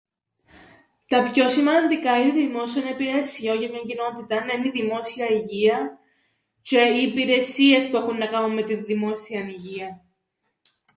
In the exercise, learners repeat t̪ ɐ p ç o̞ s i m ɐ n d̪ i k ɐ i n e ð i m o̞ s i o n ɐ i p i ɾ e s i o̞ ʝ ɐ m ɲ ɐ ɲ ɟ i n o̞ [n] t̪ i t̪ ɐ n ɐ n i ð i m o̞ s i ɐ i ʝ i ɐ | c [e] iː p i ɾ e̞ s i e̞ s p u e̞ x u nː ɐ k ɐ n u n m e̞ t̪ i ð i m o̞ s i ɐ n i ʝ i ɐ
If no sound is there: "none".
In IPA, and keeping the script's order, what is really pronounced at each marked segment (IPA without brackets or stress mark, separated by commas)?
none, e